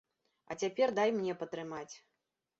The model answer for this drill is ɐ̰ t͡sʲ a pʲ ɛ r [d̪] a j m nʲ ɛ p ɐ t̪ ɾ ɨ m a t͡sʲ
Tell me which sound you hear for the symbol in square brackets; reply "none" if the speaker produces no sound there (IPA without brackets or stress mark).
d̪